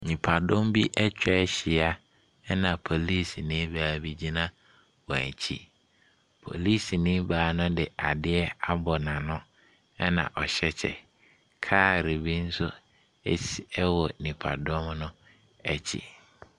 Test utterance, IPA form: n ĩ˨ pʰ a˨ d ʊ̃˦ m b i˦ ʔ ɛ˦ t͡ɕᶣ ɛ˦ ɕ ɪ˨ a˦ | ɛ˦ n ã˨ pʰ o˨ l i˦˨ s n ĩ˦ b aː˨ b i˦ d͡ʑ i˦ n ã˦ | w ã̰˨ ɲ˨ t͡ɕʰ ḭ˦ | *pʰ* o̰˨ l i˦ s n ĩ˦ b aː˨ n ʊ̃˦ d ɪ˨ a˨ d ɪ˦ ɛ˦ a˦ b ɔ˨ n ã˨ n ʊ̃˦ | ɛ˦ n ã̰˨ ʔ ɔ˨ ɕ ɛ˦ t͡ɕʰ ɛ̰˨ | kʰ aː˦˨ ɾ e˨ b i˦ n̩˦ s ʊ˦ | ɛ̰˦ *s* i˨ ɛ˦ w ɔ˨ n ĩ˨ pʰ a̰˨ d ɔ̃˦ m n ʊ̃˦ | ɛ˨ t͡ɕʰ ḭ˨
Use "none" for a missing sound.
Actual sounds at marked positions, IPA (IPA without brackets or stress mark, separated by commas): pʰ, s